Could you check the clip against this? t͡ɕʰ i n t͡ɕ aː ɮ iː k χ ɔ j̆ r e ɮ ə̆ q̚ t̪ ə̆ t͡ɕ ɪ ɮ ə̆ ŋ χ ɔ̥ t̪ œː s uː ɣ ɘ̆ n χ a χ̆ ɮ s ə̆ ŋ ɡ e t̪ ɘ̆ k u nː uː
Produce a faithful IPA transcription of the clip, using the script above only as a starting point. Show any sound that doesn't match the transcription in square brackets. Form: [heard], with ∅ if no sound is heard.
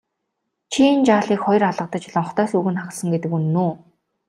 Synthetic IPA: t͡ɕʰ i n t͡ɕ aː ɮ iː k χ ɔ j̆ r [a] ɮ ə̆ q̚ t̪ ə̆ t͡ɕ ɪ ɮ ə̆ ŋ χ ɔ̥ t̪ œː s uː ɣ ɘ̆ n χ a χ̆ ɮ s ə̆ ŋ ɡ e t̪ ɘ̆ k u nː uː